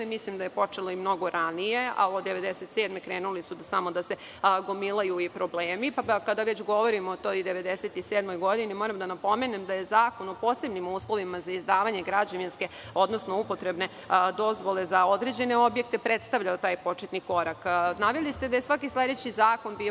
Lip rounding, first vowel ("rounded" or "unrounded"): unrounded